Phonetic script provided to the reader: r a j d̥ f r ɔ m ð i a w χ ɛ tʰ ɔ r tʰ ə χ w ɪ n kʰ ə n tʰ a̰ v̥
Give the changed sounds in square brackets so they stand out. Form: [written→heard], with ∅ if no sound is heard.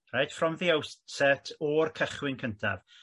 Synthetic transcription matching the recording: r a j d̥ f r ɔ m ð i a w [χ→s] ɛ tʰ ɔ r [tʰ→kʰ] ə χ w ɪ n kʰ ə n tʰ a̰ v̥